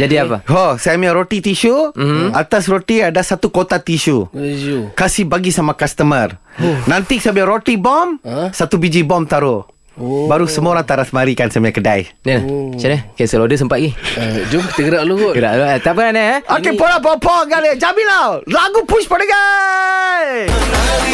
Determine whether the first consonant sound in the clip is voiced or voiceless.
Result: voiced